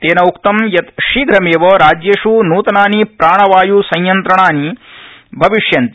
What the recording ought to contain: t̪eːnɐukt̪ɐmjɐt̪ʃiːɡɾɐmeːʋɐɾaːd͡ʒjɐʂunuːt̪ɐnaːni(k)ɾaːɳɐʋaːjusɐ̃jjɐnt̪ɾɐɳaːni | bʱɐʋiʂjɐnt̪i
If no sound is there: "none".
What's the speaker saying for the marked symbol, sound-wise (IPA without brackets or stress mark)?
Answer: p